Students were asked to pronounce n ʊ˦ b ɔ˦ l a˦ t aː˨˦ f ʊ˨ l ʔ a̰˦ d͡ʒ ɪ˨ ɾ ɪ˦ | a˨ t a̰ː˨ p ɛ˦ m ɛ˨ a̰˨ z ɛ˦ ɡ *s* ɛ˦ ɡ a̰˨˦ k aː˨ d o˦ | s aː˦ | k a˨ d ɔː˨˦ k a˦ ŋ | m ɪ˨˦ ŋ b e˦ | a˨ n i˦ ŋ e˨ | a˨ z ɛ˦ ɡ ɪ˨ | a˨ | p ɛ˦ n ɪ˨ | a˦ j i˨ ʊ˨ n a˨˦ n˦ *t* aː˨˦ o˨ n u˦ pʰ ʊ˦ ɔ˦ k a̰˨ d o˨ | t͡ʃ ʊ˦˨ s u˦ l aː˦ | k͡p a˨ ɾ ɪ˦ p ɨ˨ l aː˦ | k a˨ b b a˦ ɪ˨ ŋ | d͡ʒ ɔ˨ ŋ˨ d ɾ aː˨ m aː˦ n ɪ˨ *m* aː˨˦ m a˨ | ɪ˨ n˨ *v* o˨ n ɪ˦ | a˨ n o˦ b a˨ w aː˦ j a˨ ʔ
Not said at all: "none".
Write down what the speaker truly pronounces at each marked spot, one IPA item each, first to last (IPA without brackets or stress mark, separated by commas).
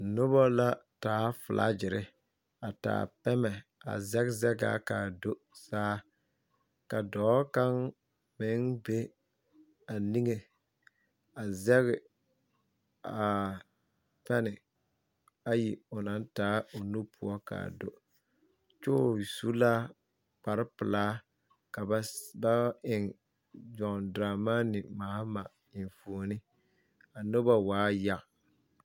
z, t, m, f